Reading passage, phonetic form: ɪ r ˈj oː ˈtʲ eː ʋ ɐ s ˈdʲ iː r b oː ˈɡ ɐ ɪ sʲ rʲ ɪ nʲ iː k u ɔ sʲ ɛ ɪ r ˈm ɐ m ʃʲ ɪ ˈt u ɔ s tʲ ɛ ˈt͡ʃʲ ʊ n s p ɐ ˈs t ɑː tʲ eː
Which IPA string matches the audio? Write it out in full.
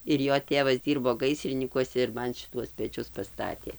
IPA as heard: ɪ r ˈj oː ˈtʲ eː ʋ ɐ s ˈdʲ iː r b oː ˈɡ ɐ ɪ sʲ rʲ ɪ nʲ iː k u ɔ sʲ ɛ ɪ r ˈm ɐ n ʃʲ ɪ ˈt u ɔ s pʲ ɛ ˈt͡ʃʲ ʊ s p ɐ ˈs t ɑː tʲ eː